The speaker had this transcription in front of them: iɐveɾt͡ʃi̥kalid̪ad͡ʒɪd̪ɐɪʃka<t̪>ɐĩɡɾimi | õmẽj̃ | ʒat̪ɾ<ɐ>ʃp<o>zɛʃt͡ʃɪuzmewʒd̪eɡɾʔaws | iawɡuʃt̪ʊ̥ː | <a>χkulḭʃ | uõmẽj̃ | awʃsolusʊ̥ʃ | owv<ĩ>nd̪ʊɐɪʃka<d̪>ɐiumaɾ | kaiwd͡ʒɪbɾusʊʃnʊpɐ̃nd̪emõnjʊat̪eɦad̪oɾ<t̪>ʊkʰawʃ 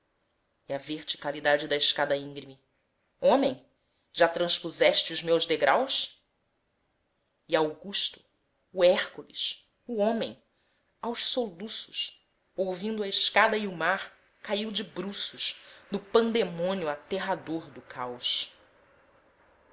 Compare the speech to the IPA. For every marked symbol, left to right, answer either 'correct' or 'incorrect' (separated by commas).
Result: incorrect, incorrect, incorrect, incorrect, correct, correct, incorrect